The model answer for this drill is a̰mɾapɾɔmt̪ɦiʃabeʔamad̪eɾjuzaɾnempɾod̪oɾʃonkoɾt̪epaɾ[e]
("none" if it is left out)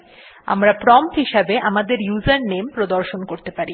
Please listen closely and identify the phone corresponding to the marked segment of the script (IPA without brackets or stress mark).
i